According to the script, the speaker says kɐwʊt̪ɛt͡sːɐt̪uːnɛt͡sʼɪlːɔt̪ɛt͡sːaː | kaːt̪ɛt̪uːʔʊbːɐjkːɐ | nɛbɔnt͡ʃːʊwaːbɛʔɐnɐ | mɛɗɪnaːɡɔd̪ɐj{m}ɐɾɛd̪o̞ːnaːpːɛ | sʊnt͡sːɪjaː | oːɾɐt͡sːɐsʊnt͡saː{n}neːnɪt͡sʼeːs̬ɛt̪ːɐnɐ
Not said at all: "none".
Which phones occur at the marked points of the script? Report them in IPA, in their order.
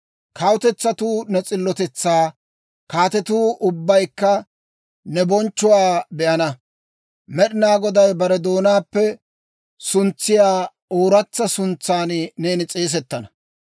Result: b, n

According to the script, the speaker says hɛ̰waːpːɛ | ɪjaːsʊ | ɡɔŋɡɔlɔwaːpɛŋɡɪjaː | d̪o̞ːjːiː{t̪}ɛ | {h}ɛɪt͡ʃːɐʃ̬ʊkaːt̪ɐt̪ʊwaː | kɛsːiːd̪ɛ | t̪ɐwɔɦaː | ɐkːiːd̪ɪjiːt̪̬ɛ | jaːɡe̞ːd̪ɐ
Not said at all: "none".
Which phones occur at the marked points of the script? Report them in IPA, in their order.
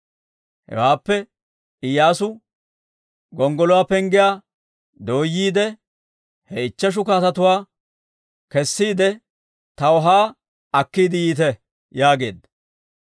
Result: d̪, h

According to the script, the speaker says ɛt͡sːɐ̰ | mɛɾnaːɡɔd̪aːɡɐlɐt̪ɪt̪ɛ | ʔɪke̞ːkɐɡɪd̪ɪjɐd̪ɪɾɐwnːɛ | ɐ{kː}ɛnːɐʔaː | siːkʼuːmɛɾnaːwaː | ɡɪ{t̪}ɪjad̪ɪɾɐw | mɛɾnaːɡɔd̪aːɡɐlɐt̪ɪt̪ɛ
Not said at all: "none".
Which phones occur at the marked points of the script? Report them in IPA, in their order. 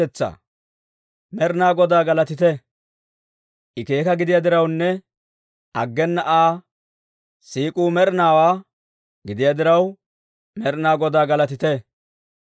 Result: ɡː, d̪

